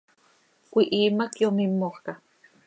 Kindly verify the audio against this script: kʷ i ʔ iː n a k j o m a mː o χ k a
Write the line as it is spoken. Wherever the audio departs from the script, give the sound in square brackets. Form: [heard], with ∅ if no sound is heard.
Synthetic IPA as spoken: kʷ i ʔ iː [m] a k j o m [i] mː o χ k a